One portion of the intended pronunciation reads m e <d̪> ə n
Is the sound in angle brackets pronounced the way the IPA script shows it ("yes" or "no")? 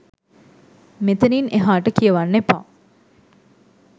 no